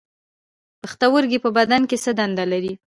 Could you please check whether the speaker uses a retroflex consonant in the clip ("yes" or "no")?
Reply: no